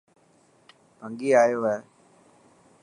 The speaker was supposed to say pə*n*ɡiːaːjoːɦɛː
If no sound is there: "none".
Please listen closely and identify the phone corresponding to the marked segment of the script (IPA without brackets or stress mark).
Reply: ŋ